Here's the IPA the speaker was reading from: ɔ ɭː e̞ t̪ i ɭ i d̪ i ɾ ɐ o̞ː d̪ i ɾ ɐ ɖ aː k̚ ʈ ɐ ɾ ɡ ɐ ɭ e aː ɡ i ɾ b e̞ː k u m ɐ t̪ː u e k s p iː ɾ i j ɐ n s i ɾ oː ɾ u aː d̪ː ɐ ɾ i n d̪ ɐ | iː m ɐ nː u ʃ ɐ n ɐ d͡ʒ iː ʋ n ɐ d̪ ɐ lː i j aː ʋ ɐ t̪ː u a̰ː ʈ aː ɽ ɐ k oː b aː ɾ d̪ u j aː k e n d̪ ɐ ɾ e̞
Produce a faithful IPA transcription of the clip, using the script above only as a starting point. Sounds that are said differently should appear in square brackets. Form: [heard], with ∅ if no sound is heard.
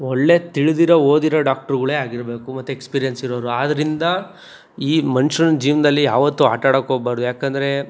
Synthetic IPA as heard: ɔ ɭː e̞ t̪ i ɭ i d̪ i ɾ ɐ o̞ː d̪ i ɾ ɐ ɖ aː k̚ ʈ ɐ ɾ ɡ ɐ ɭ e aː ɡ i ɾ b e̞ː k u m ɐ t̪ː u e k s p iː ɾ i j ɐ n s i ɾ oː ɾ u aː [d̪] ɐ ɾ i n d̪ ɐ | iː m ɐ [n] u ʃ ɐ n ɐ d͡ʒ iː ʋ n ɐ d̪ ɐ lː i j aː ʋ ɐ t̪ː u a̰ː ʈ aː ɽ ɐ k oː b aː ɾ d̪ u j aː k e n d̪ ɐ ɾ e̞